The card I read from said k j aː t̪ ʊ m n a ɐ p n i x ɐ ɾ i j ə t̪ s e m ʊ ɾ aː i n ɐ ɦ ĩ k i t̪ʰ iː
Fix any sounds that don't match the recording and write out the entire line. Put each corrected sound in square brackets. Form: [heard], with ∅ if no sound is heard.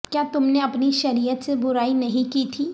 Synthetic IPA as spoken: k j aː t̪ ʊ m n [e] ɐ p n i [ʃ] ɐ ɾ i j ə t̪ s e [b] ʊ ɾ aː i n ɐ ɦ ĩ k i t̪ʰ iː

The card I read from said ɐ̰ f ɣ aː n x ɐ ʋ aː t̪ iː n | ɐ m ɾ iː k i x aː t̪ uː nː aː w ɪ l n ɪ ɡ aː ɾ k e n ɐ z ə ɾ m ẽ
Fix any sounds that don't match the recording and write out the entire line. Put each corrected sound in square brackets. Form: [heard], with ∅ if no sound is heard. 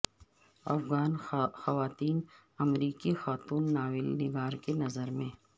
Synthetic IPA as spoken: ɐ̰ f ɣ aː n x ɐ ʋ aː t̪ iː n | ɐ m ɾ iː k i x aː t̪ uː nː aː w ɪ l n ɪ ɡ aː ɾ k e n ɐ z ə ɾ m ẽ

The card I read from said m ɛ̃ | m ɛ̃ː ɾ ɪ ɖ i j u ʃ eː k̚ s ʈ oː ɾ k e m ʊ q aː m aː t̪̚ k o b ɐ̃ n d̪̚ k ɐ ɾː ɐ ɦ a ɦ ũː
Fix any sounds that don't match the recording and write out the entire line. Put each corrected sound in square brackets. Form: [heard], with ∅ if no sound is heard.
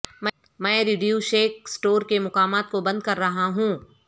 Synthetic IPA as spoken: m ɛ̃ | m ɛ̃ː ɾ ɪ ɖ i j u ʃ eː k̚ s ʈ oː ɾ k e m ʊ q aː m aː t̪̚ k o b ɐ̃ n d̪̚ k ɐ ɾː ɐ ɦ a ɦ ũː

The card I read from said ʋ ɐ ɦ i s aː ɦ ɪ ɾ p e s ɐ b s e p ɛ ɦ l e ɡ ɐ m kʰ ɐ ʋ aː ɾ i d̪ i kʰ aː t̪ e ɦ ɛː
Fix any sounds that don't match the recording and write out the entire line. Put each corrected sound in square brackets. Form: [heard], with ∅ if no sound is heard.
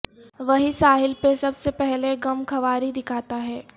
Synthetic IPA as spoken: ʋ ɐ ɦ i s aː ɦ ɪ [l] p e s ɐ b s e p ɛ ɦ l e ɡ ɐ m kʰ ɐ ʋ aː ɾ i d̪ [ɪ] kʰ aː t̪ [a] ɦ ɛː

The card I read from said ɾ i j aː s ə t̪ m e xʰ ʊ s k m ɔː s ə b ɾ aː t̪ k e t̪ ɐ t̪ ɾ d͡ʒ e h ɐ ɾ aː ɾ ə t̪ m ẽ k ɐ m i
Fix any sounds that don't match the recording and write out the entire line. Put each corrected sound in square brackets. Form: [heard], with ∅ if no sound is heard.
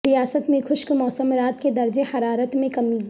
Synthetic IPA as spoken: ɾ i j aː s ə t̪ m [ẽ] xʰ ʊ [ʃ] k m ɔː s ə [m] ɾ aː t̪ k e [d̪] ɐ [∅] ɾ d͡ʒ e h ɐ ɾ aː ɾ ə t̪ m ẽ k ɐ m i

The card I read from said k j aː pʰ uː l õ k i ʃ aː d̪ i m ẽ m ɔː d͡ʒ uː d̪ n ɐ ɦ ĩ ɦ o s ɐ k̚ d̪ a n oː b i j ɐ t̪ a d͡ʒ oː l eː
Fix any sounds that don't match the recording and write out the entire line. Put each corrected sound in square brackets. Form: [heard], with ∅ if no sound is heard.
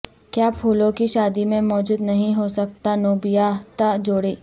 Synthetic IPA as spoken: k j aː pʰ uː l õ k i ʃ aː d̪ i m ẽ m ɔː d͡ʒ uː d̪ n ɐ ɦ ĩ ɦ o s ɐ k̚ [t̪] a n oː b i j [a] t̪ a d͡ʒ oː [ɽ] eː

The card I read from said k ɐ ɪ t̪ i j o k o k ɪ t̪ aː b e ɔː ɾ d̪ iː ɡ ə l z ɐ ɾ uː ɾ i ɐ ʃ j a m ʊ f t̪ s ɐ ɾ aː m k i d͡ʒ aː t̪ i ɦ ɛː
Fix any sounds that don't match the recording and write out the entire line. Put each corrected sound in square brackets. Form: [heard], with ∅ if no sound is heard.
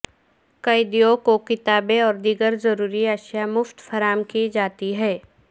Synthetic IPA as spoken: k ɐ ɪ [d̪] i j o k o k ɪ t̪ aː b e ɔː ɾ d̪ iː ɡ ə [ɾ] z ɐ ɾ uː ɾ i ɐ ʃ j a m ʊ f t̪ [f] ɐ ɾ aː m k i d͡ʒ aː t̪ i ɦ ɛː

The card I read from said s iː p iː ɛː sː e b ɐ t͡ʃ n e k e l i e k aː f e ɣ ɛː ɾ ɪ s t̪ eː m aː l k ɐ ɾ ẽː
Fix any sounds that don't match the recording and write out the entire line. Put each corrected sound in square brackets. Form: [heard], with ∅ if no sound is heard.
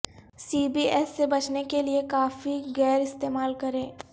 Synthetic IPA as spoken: s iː [b] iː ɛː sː e b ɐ t͡ʃ n e k e l i e k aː f [i] ɣ ɛː ɾ ɪ s t̪ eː m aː l k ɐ ɾ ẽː

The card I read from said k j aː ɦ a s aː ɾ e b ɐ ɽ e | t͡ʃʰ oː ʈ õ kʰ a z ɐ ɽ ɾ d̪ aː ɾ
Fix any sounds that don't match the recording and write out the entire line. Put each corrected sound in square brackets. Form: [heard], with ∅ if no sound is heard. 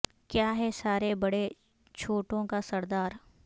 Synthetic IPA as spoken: k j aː ɦ [ɛ] s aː ɾ e b ɐ ɽ e | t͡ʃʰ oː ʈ õ [k] a [s] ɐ [∅] ɾ d̪ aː ɾ

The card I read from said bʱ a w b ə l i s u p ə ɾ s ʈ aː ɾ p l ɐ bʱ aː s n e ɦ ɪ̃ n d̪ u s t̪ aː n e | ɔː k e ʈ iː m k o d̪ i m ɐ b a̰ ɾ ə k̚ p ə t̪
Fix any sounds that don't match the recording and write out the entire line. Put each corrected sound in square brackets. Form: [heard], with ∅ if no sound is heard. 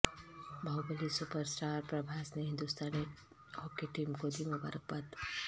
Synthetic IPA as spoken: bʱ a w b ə l i s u p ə ɾ s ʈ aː ɾ p [ɾ] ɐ bʱ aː s n e ɦ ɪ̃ n d̪ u s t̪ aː n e | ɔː k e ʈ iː m k o d̪ i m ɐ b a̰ ɾ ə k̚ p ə t̪

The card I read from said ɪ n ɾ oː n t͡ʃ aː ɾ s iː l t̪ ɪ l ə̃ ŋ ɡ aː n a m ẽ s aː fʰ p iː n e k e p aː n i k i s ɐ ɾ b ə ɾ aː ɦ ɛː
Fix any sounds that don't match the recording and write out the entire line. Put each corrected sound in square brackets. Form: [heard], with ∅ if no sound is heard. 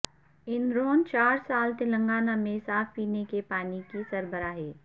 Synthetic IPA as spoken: ɪ n ɾ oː n t͡ʃ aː ɾ s [aː] l t̪ ɪ l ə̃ ŋ ɡ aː n a m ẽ s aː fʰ p iː n e k e p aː n i k i s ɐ ɾ b ə ɾ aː ɦ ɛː

